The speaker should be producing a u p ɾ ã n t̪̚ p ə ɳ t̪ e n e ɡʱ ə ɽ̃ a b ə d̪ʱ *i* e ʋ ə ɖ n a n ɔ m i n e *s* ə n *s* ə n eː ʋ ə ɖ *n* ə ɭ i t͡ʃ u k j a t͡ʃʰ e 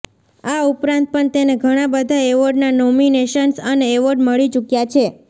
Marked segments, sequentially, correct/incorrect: incorrect: a, incorrect: ʃ, correct, incorrect: m

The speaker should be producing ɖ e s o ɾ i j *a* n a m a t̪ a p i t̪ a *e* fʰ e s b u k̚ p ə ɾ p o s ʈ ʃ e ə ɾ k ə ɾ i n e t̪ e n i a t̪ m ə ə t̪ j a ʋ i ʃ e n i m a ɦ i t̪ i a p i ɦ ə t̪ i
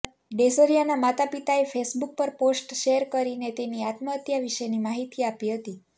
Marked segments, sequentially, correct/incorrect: correct, correct

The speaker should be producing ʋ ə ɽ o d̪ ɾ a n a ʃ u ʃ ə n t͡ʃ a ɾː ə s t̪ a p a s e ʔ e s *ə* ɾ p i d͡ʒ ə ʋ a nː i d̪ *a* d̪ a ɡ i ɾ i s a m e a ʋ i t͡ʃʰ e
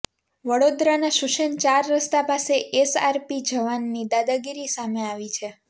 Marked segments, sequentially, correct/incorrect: incorrect: a, correct

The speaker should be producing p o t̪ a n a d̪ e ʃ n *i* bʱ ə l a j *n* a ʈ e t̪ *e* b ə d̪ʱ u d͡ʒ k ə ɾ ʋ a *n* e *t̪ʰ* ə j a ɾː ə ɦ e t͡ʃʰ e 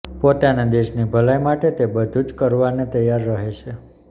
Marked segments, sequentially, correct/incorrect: correct, incorrect: m, correct, correct, incorrect: t̪

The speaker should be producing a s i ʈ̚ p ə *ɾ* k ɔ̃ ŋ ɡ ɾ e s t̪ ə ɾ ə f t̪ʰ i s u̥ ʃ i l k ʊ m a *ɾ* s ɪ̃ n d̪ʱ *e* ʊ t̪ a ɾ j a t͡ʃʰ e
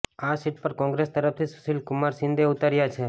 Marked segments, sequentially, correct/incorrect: correct, correct, correct

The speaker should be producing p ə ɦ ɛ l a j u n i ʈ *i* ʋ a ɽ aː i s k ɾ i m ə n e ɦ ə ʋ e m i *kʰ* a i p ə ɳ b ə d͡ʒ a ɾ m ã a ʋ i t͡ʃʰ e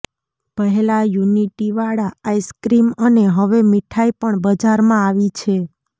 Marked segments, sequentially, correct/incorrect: correct, incorrect: ʈʰ

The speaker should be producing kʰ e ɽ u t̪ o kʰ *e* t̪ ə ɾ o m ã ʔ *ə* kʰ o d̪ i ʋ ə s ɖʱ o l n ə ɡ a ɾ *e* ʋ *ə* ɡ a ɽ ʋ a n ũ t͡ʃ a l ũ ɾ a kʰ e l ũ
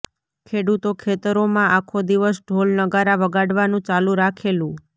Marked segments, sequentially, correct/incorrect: correct, incorrect: a, incorrect: a, correct

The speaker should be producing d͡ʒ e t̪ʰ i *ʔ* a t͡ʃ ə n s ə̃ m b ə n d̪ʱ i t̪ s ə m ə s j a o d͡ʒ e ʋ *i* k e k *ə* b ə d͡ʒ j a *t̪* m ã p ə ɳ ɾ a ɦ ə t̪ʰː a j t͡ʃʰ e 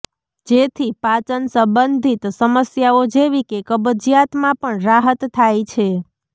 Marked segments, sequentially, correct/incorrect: incorrect: p, correct, correct, correct

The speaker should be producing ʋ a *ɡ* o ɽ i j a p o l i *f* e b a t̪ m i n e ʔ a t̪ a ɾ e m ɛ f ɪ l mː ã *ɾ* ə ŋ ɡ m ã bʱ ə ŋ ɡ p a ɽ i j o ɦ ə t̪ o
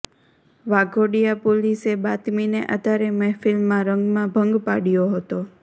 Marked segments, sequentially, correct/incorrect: correct, incorrect: s, correct

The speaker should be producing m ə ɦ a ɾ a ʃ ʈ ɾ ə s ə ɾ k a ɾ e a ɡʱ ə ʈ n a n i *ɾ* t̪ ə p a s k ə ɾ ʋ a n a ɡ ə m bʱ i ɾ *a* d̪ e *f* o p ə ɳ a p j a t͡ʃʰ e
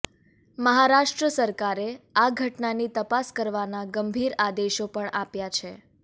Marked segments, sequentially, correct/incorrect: incorrect: none, correct, incorrect: ʃ

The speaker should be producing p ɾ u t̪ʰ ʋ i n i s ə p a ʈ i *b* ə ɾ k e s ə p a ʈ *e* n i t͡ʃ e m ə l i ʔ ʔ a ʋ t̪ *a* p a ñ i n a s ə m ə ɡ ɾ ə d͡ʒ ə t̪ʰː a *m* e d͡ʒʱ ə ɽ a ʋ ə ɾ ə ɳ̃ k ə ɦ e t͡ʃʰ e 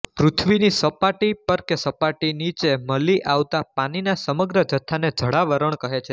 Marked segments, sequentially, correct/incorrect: incorrect: p, incorrect: i, correct, incorrect: n

